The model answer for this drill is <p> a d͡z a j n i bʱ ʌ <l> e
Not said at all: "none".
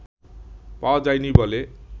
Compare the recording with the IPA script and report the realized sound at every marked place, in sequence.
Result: p, l

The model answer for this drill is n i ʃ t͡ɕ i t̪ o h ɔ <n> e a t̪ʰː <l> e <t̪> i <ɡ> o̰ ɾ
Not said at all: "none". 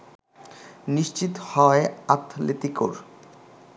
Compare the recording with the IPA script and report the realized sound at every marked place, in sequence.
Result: none, l, t̪, k

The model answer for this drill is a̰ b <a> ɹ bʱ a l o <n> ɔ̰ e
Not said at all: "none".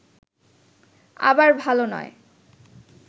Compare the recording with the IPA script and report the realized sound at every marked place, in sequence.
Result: a, n

